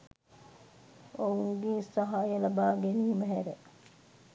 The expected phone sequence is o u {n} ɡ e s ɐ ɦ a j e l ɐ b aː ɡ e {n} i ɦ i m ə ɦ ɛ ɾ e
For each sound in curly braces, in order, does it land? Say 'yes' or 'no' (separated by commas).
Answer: no, yes